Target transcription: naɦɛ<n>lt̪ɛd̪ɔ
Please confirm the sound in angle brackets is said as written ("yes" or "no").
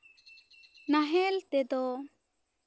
no